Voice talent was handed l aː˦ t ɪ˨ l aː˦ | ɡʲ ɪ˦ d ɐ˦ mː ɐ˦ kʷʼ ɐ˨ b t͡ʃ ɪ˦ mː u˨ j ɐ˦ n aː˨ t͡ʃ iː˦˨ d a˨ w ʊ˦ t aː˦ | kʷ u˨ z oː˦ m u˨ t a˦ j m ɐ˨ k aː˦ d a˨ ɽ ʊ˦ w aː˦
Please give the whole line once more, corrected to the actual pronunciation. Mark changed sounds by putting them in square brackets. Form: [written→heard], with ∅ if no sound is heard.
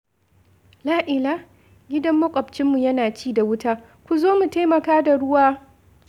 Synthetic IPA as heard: l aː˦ [t→ʔ] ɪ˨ l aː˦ | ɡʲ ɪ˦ d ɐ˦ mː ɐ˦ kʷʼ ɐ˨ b t͡ʃ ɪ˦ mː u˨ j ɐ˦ n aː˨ t͡ʃ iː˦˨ d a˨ w ʊ˦ t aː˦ | kʷ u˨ z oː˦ m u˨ t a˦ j m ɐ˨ k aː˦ d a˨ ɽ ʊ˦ w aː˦